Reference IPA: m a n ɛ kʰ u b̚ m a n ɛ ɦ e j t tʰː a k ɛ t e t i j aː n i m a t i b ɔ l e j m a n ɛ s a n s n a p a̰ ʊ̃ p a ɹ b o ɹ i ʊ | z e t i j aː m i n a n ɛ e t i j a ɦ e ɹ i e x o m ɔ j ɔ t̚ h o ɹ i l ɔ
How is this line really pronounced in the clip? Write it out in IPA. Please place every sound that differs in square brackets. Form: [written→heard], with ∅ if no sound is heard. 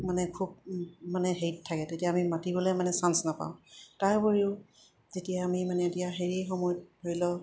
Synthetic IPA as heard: m a n ɛ kʰ u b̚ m a n ɛ ɦ e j t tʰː a k ɛ t e t i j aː [n→m] i m a t i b ɔ l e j m a n ɛ s a n s n a p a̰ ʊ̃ [p→t] a ɹ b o ɹ i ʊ | z e t i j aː m i [n→m] a n ɛ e t i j a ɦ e ɹ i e x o m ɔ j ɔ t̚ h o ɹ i l ɔ